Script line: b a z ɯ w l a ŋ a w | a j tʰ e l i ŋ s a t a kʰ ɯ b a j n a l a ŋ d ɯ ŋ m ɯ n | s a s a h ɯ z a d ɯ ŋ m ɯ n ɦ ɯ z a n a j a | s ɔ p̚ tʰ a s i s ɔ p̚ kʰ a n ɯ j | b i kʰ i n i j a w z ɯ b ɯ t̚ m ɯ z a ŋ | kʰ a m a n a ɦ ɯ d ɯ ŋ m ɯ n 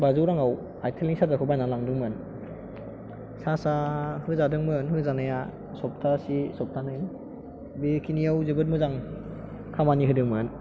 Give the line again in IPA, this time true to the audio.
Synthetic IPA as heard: b a z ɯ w ɾ a ŋ a w | a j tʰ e l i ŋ s a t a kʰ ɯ b a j n a l a ŋ d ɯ ŋ m ɯ n | s a s a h ɯ z a d ɯ ŋ m ɯ n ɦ ɯ z a n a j a | s ɔ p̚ tʰ a s i s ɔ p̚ tʰ a n ɯ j | b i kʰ i n i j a w z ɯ b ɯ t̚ m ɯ z a ŋ | kʰ a m a n i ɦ ɯ d ɯ ŋ m ɯ n